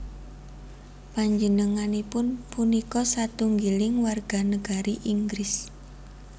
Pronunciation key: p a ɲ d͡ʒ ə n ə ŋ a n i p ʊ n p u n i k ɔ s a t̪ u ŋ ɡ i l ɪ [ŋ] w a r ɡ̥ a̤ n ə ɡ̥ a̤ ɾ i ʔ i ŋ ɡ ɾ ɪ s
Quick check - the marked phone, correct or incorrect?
correct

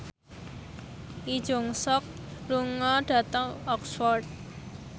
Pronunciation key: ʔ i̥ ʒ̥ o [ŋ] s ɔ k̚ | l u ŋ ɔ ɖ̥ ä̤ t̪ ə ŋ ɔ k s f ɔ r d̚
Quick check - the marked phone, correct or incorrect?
correct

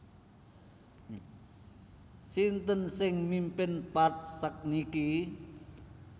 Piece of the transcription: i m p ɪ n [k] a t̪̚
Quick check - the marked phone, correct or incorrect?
incorrect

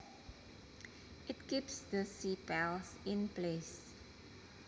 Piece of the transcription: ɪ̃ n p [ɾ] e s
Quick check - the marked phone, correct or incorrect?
incorrect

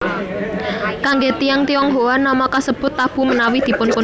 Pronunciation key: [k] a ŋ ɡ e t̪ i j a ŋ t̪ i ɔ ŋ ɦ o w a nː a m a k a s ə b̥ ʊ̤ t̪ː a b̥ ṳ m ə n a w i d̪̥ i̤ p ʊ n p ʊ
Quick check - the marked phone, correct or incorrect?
correct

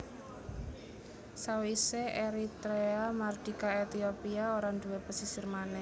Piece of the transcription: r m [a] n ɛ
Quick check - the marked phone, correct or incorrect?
correct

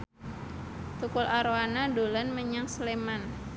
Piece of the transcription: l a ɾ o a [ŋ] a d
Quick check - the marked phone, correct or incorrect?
incorrect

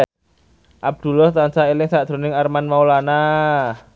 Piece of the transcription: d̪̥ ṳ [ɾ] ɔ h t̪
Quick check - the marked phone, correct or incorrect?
incorrect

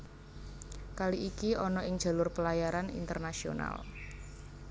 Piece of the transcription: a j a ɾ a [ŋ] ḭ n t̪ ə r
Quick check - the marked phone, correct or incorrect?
incorrect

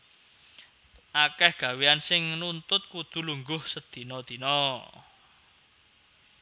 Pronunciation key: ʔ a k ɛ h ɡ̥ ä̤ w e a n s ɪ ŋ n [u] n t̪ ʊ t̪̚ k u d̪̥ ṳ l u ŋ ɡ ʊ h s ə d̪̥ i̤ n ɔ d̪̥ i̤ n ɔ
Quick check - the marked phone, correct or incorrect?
correct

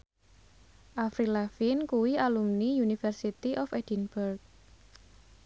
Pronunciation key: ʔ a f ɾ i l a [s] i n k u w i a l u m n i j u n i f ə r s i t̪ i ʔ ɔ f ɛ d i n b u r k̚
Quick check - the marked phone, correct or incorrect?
incorrect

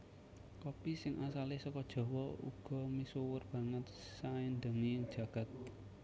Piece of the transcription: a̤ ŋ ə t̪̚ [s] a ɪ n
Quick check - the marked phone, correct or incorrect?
correct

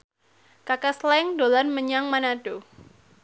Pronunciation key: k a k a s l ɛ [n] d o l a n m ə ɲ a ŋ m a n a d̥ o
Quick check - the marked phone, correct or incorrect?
incorrect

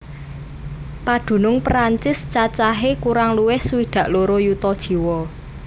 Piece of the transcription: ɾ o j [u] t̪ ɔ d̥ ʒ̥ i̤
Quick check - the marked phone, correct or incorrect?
correct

